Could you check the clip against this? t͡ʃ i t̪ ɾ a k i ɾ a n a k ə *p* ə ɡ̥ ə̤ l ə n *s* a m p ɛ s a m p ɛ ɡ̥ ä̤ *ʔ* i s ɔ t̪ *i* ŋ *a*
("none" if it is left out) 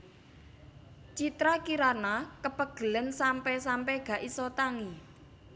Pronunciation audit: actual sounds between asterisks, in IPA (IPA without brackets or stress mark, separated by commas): p, s, ʔ, a, i